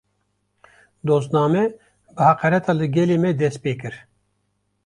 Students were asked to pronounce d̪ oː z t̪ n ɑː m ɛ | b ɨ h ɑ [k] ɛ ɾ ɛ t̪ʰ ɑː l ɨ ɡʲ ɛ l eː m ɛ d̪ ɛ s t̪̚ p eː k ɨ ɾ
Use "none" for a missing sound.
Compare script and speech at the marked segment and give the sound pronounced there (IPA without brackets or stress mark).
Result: q